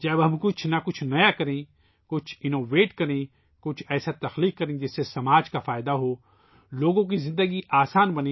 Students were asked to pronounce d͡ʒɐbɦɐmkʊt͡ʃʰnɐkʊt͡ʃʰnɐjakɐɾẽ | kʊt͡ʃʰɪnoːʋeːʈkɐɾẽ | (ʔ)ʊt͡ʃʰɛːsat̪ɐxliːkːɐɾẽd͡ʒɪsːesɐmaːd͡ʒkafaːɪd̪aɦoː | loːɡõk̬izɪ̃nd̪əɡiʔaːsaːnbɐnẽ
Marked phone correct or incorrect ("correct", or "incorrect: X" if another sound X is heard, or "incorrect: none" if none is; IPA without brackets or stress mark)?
incorrect: k